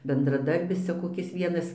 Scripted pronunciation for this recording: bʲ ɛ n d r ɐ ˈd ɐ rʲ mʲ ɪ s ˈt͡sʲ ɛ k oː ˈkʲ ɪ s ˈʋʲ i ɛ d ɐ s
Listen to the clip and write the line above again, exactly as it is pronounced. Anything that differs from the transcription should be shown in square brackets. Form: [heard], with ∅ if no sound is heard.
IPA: bʲ ɛ n d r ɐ ˈd ɐ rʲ [bʲ] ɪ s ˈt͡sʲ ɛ k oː ˈkʲ ɪ s ˈʋʲ i ɛ [n] ɐ s